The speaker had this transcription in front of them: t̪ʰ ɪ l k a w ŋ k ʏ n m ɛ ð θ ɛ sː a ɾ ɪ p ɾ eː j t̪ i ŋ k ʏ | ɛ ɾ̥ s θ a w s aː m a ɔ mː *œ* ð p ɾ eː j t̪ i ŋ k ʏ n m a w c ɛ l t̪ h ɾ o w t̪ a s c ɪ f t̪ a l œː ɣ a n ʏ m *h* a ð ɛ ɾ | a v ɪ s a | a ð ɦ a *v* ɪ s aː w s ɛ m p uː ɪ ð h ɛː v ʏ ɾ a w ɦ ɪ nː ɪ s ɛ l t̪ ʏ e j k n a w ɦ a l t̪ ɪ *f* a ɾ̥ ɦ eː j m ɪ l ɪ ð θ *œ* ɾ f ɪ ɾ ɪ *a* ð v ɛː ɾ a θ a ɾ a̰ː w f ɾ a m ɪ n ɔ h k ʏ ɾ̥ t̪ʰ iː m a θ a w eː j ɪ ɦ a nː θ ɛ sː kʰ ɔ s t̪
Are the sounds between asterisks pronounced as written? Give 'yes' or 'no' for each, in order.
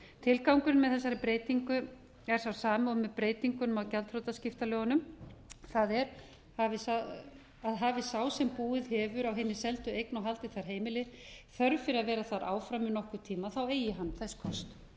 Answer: no, no, yes, no, yes, yes

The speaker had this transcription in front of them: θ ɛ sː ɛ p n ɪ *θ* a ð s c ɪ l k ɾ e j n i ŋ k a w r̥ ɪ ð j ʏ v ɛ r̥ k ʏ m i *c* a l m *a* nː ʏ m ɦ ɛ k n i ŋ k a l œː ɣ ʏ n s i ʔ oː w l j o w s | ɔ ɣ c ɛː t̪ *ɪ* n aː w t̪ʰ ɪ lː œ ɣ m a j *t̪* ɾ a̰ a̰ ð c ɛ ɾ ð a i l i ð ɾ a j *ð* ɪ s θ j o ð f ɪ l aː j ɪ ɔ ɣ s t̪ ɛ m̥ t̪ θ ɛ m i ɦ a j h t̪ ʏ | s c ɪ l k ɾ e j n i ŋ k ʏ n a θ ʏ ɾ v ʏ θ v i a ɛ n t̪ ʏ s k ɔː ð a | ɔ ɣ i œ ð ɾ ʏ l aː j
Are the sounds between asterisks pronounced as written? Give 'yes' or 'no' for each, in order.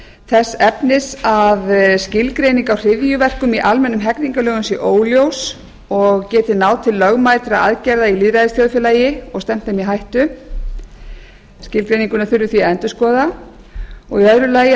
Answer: no, no, no, yes, yes, yes

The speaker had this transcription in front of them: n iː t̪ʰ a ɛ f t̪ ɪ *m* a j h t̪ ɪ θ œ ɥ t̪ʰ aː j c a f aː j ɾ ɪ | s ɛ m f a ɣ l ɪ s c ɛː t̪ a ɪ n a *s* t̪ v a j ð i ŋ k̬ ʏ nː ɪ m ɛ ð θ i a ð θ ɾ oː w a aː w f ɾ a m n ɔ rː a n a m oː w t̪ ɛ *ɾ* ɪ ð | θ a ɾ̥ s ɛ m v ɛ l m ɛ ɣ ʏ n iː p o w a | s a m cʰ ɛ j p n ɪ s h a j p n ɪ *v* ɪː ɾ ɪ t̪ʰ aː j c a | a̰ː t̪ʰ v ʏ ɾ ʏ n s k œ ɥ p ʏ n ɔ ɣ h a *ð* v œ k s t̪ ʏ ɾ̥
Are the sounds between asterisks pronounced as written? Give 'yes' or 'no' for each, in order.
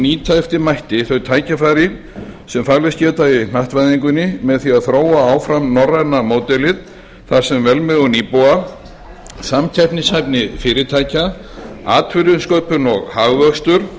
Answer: yes, no, no, no, no

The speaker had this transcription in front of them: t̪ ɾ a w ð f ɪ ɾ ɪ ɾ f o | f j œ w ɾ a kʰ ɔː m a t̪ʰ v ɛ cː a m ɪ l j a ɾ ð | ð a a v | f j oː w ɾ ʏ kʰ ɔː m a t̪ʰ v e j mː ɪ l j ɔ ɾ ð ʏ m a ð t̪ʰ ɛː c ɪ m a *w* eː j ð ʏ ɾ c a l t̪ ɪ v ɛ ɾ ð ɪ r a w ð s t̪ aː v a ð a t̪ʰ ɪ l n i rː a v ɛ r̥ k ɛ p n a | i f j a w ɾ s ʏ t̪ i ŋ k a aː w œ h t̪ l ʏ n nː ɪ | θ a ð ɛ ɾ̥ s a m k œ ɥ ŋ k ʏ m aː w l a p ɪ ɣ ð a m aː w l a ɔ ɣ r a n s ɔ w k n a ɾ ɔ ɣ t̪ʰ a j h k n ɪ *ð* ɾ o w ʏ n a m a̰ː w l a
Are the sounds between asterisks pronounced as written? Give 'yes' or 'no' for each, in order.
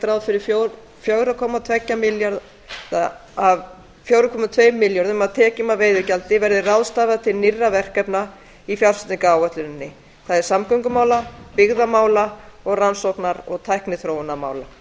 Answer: no, no

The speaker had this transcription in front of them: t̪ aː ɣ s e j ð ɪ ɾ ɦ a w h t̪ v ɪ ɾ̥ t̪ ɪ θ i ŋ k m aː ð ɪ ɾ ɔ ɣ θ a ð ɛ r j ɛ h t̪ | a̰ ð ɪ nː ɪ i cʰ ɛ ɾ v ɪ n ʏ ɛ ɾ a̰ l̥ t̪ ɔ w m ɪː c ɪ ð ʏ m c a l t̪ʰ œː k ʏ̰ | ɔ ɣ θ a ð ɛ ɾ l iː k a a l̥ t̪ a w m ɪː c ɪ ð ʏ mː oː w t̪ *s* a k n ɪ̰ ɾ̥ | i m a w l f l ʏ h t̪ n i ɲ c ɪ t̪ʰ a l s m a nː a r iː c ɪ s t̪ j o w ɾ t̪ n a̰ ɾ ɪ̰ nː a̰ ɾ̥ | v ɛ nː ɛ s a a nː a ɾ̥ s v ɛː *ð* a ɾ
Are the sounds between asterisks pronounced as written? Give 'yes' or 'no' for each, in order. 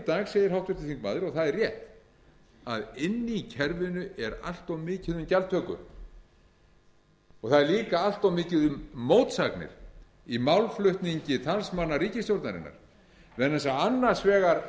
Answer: yes, no

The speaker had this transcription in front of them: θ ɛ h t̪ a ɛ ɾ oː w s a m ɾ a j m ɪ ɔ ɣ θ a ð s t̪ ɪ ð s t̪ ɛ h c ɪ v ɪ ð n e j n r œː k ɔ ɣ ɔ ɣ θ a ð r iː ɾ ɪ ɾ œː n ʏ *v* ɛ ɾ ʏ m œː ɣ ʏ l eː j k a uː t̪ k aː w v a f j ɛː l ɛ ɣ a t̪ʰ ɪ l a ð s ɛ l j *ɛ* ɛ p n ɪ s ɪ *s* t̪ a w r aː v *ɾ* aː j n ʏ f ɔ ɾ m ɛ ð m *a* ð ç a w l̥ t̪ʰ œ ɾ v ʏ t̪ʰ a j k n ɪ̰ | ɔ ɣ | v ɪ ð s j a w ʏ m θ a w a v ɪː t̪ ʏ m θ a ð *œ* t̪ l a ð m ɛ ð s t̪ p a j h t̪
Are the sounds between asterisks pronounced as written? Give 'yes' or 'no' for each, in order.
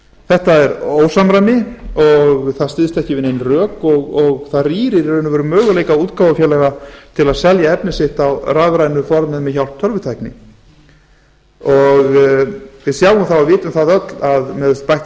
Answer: yes, no, no, yes, no, yes

